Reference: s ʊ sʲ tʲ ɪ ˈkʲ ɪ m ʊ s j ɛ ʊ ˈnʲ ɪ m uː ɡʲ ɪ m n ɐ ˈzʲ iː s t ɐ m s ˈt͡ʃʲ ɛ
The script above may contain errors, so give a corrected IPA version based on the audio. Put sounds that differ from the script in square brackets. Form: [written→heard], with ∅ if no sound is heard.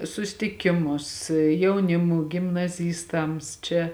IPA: s ʊ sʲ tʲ ɪ ˈkʲ ɪ m ʊ s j ɛ ʊ ˈnʲ ɪ m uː ɡʲ ɪ m n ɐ ˈzʲ iː s t ɐ m s ˈt͡ʃʲ ɛ